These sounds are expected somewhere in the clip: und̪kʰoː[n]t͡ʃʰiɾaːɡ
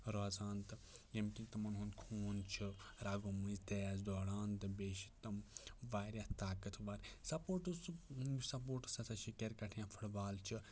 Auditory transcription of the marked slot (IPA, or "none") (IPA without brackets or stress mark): n